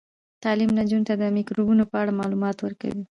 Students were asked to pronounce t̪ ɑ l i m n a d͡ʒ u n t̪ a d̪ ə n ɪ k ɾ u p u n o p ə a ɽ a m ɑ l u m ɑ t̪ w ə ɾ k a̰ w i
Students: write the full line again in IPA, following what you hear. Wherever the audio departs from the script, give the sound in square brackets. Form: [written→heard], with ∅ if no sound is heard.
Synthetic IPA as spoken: t̪ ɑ l i m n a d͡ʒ u n t̪ a d̪ ə [n→m] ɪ k ɾ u [p→b] u n o p ə a ɽ a m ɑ l u m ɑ t̪ w ə ɾ k a̰ w i